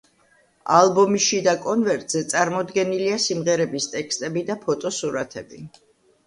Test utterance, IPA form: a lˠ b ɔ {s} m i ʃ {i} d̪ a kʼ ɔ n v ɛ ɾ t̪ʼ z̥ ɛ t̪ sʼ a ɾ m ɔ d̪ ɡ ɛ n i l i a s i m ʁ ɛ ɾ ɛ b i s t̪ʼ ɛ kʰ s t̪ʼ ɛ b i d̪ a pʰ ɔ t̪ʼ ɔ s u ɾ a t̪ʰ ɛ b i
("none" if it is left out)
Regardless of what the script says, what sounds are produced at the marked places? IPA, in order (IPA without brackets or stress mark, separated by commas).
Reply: none, i